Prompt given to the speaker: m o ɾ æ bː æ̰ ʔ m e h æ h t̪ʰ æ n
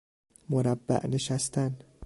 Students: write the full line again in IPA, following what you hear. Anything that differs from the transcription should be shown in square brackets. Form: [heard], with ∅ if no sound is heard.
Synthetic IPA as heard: m o ɾ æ bː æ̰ ʔ [n] e [ʃ] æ [s] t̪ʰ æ n